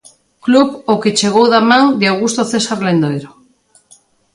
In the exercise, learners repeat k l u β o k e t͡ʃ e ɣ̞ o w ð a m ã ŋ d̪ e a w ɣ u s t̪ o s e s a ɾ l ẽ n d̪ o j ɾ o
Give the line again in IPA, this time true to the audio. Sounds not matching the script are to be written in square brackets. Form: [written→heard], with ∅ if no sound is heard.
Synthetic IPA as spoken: k l u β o k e t͡ʃ e ɣ̞ o w ð a m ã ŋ d̪ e a w ɣ u s t̪ o [s→θ] e s a ɾ l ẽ n d̪ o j ɾ o